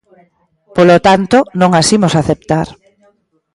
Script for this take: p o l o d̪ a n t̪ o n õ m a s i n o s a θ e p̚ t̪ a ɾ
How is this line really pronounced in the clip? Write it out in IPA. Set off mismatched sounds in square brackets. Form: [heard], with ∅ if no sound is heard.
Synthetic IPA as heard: p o l o [t̪] a n t̪ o n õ [ŋ] a s i [m] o s a θ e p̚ t̪ a ɾ